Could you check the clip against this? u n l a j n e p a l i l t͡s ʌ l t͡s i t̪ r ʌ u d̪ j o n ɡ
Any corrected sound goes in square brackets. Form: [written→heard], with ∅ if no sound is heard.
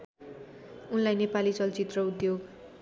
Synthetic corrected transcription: u n l a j n e p a l i [l→∅] t͡s ʌ l t͡s i t̪ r ʌ u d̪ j o [n→∅] ɡ